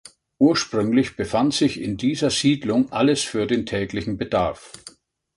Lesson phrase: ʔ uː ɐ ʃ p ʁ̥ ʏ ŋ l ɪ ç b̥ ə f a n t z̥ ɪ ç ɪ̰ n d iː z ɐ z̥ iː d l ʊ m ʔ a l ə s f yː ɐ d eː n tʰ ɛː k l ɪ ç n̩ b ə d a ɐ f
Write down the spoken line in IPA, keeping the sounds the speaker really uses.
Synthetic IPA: ʔ uː ɐ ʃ p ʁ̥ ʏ ŋ l ɪ ç b̥ ə f a n t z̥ ɪ ç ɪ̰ n d iː z ɐ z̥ iː d l ʊ ŋ ʔ a l ə s f yː ɐ d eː n tʰ ɛː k l ɪ ç n̩ b ə d a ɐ f